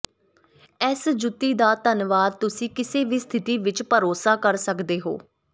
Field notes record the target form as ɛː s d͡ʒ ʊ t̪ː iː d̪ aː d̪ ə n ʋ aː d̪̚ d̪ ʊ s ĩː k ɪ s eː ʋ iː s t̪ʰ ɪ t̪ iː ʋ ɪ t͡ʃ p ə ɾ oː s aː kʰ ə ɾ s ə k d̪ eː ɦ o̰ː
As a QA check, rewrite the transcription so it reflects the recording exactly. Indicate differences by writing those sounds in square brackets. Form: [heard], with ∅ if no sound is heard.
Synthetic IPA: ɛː s d͡ʒ ʊ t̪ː iː d̪ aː [t̪] ə n ʋ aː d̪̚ [t̪] ʊ s ĩː k ɪ s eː ʋ iː s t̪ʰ ɪ t̪ iː ʋ ɪ t͡ʃ p ə ɾ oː s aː [k] ə ɾ s ə k d̪ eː ɦ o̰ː